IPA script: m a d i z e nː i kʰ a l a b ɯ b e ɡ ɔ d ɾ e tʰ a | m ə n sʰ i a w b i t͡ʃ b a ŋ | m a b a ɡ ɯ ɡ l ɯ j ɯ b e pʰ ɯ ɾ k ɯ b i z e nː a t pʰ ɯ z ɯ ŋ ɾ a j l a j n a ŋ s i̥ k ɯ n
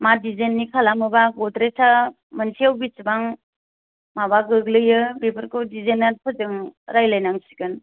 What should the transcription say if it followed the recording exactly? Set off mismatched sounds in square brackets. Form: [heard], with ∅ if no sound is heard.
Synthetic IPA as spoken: m a d i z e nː i kʰ a l a [m] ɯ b [a] ɡ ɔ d ɾ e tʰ a | m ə n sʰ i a w b i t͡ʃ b a ŋ | m a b a ɡ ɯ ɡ l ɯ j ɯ b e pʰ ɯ ɾ k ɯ [d] i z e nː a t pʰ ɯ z ɯ ŋ ɾ a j l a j n a ŋ s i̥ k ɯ n

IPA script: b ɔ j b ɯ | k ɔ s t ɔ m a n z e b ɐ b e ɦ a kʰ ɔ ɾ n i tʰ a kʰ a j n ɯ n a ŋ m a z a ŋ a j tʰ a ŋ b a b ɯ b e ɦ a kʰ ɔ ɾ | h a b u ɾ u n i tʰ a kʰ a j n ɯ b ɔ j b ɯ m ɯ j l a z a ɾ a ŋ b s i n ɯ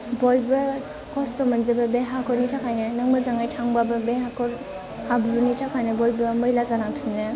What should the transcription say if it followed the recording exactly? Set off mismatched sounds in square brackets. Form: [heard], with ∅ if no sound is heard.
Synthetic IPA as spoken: b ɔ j b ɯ | k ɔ s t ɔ m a n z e b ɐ b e ɦ a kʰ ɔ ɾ n i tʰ a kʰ a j n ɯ n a ŋ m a z a ŋ a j tʰ a ŋ b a b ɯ b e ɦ a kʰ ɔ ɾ | h a b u ɾ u n i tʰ a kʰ a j n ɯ b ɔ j b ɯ m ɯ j l a z a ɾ a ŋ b s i n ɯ

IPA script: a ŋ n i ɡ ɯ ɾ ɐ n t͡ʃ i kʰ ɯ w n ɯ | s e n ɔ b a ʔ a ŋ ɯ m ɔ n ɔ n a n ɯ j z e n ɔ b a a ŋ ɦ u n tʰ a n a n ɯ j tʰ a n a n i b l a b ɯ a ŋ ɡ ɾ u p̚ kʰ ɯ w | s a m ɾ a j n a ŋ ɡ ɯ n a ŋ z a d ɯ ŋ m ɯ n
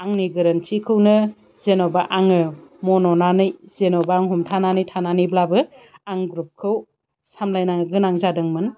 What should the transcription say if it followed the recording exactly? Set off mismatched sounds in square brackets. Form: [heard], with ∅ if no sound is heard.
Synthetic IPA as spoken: a ŋ n i ɡ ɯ ɾ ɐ n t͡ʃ i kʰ ɯ w n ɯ | [z] e n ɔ b a ʔ a ŋ ɯ m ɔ n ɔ n a n ɯ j z e n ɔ b a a ŋ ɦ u [m] tʰ a n a n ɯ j tʰ a n a n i b l a b ɯ a ŋ ɡ ɾ u p̚ kʰ ɯ w | s a m [l] a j n a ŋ ɡ ɯ n a ŋ z a d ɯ ŋ m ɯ n

